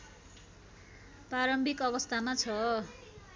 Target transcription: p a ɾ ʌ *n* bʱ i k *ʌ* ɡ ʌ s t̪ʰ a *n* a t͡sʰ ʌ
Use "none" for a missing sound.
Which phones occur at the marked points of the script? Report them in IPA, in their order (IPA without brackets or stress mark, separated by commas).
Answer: m, ʌ, m